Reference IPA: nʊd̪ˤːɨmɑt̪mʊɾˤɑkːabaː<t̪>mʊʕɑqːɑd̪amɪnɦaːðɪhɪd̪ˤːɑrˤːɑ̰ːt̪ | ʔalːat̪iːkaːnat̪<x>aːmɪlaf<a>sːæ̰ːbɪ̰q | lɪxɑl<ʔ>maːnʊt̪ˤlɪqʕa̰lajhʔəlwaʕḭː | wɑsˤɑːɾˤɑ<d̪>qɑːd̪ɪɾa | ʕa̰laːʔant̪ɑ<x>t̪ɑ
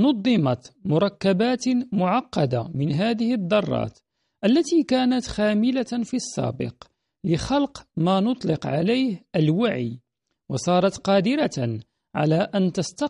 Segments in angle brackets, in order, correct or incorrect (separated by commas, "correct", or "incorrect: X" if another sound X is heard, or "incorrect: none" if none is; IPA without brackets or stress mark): correct, correct, incorrect: i, incorrect: q, incorrect: t̪, incorrect: s